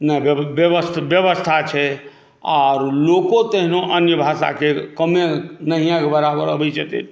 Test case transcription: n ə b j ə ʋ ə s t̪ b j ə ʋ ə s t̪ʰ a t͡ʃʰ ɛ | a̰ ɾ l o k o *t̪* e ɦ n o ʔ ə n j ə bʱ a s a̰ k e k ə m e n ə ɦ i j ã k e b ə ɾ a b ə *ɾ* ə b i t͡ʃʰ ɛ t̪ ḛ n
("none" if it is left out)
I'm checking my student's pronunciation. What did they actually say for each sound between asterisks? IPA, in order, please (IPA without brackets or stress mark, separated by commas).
t̪, ɾ